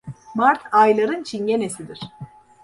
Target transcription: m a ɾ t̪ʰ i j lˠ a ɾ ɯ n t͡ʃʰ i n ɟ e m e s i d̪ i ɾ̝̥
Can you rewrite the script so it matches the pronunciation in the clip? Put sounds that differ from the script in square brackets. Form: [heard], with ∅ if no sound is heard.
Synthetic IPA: m a ɾ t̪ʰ [a] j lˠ a ɾ ɯ n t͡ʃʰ i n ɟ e [n] e s i d̪ i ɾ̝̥